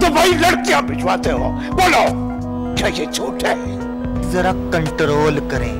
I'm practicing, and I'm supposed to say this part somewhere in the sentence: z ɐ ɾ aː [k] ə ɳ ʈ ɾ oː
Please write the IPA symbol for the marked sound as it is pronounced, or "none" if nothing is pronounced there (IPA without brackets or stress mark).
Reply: k